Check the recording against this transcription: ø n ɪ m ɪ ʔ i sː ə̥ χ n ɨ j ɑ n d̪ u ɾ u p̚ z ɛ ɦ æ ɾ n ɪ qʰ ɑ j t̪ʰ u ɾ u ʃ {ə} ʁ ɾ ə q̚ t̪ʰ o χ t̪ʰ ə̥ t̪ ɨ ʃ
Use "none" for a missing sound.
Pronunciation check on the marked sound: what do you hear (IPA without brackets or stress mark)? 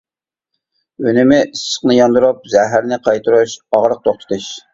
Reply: ɑ